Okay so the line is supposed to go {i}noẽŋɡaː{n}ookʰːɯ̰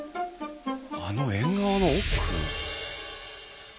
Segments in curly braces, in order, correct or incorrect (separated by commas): incorrect, correct